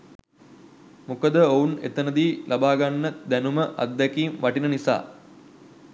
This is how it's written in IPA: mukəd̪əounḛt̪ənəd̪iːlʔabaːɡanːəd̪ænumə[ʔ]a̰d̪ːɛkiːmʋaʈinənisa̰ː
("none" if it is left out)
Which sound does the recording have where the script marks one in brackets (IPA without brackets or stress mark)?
ʔ